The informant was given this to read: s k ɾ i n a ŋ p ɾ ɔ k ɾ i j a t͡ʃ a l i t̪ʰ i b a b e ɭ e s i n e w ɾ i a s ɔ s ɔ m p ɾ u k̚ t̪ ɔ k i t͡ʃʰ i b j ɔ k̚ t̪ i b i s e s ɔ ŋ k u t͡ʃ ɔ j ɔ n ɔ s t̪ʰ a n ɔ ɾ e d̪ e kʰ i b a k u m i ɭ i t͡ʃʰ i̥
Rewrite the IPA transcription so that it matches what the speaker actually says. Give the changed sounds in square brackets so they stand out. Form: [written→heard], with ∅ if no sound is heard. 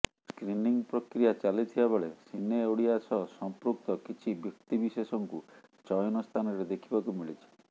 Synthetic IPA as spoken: s k ɾ i n [a→i] ŋ p ɾ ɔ k ɾ i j a t͡ʃ a l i t̪ʰ i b a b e ɭ e s i n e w [ɾ→ɽ] i a s ɔ s ɔ m p ɾ u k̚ t̪ ɔ k i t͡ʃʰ i b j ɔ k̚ t̪ i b i s e s ɔ ŋ k u t͡ʃ ɔ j ɔ n ɔ s t̪ʰ a n ɔ ɾ e d̪ e kʰ i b a k u m i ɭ i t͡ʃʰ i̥